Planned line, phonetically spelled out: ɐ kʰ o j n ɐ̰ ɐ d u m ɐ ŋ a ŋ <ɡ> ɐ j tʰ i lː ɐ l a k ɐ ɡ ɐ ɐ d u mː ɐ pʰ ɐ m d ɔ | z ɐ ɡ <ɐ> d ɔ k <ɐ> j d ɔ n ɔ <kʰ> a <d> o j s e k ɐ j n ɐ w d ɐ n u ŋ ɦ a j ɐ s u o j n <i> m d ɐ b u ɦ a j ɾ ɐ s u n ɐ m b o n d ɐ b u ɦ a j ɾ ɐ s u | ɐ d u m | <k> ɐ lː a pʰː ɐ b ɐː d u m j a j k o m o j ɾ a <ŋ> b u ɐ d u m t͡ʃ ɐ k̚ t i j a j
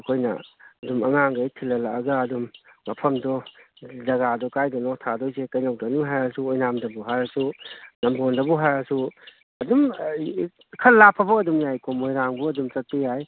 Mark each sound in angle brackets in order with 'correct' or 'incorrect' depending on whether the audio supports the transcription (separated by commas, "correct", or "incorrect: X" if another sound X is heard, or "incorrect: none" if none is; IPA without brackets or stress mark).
correct, incorrect: a, incorrect: a, incorrect: tʰ, correct, incorrect: a, incorrect: kʰ, correct